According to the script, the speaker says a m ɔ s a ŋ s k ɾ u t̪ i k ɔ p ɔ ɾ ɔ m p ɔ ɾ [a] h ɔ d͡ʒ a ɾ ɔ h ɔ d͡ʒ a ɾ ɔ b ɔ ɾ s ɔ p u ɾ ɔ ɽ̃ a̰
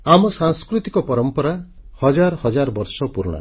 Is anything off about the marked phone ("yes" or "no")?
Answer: no